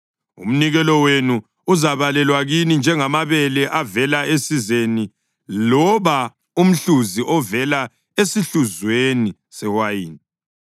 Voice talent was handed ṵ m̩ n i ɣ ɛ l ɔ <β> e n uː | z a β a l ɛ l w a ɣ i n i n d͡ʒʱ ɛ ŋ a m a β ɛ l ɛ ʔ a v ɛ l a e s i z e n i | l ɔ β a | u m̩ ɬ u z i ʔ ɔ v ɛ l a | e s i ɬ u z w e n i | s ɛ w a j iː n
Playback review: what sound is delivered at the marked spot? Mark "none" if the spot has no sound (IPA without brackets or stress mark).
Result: w